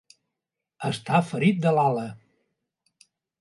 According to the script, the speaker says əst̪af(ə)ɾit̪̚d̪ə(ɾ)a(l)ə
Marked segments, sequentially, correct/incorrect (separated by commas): correct, incorrect, correct